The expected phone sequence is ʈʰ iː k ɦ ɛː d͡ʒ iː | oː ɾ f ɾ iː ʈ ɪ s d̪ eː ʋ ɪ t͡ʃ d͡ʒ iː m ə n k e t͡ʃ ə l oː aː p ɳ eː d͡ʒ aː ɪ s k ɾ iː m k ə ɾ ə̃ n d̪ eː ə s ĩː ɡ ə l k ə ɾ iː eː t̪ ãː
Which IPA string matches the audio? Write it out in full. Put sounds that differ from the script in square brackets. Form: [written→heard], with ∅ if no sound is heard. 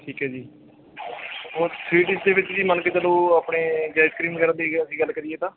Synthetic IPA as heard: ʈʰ iː k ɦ ɛː d͡ʒ iː | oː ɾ [f→s] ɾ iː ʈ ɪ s d̪ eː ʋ ɪ t͡ʃ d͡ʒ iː m ə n k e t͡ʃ ə l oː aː p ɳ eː d͡ʒ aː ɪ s k ɾ iː m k ə ɾ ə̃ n d̪ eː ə s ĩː ɡ ə l k ə ɾ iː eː t̪ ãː